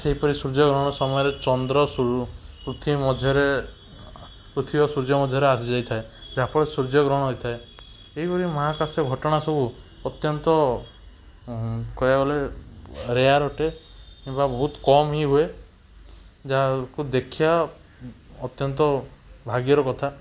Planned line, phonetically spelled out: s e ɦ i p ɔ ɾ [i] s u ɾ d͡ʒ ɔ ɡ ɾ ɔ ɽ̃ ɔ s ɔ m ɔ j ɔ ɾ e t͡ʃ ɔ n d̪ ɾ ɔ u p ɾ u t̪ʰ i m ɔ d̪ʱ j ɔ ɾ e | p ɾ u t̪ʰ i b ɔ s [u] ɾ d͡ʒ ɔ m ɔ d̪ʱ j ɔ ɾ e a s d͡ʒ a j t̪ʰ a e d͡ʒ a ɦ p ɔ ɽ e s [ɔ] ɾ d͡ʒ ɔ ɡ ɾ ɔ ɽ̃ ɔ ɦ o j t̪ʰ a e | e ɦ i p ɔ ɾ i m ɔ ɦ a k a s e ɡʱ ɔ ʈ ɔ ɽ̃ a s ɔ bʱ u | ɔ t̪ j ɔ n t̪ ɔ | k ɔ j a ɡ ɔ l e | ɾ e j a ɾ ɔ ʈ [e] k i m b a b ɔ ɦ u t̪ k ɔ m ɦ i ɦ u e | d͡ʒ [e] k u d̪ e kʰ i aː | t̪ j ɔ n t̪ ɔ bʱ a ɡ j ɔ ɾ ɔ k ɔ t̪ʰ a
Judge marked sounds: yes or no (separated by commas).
yes, yes, no, yes, no